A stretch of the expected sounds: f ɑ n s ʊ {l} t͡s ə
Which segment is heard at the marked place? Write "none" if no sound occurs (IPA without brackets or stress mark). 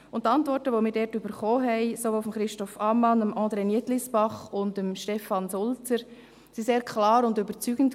l